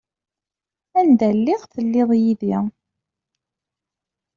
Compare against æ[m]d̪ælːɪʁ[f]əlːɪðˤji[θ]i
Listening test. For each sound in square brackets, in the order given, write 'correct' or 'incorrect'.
incorrect: n, incorrect: θ, incorrect: ð

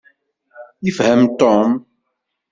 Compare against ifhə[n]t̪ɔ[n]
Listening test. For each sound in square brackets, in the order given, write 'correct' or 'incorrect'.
incorrect: m, incorrect: m

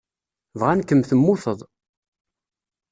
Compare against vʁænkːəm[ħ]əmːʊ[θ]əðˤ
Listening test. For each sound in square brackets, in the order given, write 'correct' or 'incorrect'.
incorrect: θ, correct

